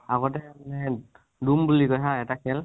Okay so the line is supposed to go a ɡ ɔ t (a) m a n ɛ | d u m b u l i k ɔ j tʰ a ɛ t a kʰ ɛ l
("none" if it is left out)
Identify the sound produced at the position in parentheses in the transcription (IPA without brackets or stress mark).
ɛ